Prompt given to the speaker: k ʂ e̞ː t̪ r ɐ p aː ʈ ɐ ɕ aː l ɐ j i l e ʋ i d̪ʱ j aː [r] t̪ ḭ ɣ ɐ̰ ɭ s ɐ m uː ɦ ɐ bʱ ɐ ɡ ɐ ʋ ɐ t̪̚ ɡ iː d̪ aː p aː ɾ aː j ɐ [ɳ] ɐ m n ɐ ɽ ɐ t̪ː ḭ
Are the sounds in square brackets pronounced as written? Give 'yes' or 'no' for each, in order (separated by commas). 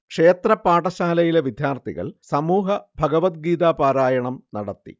yes, yes